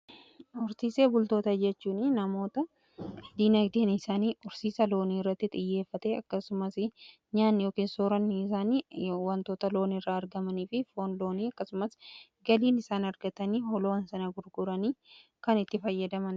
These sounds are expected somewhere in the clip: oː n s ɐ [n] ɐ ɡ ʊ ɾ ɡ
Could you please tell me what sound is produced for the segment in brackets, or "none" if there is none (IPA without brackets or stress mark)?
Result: n